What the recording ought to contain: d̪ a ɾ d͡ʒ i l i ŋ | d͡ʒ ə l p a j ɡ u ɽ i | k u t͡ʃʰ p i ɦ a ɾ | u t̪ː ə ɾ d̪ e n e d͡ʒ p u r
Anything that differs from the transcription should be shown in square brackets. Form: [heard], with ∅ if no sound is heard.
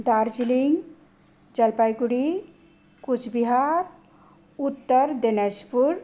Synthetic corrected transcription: d̪ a ɾ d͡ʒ i l i ŋ | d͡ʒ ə l p a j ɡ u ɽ i | k u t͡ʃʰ [b] i ɦ a ɾ | u t̪ː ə ɾ d̪ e n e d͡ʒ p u [ɾ]